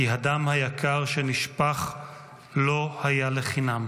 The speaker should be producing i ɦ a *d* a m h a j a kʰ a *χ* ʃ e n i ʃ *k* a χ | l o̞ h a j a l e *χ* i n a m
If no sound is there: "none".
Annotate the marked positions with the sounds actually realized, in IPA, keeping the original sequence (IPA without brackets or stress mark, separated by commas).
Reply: d, ʁ, p, χ